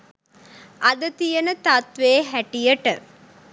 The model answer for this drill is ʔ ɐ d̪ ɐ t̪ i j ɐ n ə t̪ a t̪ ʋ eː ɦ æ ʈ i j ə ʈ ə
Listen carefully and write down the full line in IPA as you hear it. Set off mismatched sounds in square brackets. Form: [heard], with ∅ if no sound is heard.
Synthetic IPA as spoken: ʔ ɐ d̪ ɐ t̪ i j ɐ n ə t̪ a t̪ ʋ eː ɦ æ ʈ i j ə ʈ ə